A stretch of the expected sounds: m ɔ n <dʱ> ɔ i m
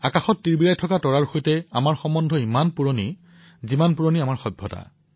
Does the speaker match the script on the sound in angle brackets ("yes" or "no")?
yes